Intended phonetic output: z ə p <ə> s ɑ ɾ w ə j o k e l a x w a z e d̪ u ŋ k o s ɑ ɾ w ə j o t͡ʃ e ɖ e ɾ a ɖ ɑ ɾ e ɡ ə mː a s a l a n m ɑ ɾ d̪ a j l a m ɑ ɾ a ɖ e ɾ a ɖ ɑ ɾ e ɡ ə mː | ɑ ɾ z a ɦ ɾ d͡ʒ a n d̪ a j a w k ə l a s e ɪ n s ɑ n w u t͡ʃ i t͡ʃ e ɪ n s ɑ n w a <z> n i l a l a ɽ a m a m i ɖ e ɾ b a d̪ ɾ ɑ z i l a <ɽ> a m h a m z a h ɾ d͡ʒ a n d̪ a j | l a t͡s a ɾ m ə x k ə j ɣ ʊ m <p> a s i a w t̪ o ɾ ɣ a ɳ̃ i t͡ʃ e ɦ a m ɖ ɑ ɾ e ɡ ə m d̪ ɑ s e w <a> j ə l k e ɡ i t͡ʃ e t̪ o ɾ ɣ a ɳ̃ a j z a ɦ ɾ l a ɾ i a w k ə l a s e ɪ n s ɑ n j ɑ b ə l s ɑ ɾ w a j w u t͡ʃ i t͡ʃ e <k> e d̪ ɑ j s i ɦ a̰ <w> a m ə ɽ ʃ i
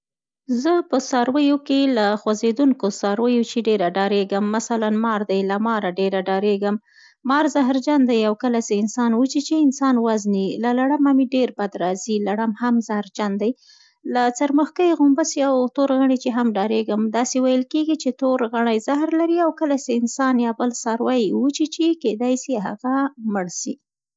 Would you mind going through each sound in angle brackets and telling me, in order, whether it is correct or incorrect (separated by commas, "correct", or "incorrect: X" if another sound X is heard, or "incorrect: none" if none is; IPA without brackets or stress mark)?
correct, correct, correct, incorrect: b, correct, correct, incorrect: ɣ